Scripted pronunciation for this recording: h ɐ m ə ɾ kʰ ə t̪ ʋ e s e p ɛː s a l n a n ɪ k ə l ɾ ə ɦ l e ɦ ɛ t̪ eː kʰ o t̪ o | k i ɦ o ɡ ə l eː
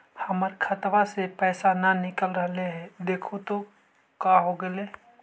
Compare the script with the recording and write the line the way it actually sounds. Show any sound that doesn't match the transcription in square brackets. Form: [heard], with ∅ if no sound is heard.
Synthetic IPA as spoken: h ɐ m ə ɾ kʰ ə t̪ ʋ [a] s e p ɛː s a [∅] n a n ɪ k ə l ɾ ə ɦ l e ɦ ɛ [d̪] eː kʰ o t̪ o | k [a] ɦ o ɡ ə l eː

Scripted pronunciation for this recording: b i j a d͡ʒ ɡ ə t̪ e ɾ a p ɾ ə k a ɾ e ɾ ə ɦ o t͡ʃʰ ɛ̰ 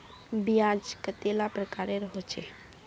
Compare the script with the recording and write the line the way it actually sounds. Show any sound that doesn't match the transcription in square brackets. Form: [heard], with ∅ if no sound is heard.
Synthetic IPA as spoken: b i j a d͡ʒ [k] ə t̪ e [l] a p ɾ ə k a ɾ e ɾ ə ɦ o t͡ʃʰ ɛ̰

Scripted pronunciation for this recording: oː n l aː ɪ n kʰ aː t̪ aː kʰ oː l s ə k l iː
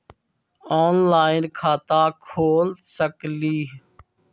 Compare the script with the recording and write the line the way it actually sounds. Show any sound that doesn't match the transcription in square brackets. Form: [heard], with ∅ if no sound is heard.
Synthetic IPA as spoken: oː n l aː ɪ n kʰ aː t̪ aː kʰ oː l s ə k l iː

